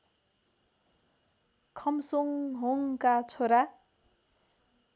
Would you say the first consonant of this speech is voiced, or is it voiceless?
voiceless